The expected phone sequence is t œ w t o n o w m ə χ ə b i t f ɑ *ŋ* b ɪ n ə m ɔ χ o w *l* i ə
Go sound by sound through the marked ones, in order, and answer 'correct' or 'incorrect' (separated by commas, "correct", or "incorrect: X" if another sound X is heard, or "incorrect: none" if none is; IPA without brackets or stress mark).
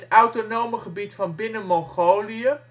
incorrect: n, correct